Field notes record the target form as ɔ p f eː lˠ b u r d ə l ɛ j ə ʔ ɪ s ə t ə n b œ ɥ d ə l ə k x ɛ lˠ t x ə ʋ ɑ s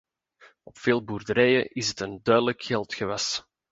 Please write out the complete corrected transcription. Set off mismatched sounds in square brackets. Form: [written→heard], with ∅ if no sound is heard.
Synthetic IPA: ɔ p f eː lˠ b u r d ə [l→ɾ] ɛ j ə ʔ ɪ s ə t ə n [b→d] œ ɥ d ə l ə k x ɛ lˠ t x ə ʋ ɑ s

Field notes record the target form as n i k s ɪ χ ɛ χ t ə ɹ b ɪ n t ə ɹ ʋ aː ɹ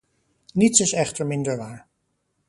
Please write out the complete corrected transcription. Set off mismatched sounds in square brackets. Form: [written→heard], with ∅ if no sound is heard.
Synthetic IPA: n i [k→t] s ɪ [χ→s] ɛ χ t ə ɹ [b→m] ɪ n [t→d] ə ɹ ʋ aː ɹ

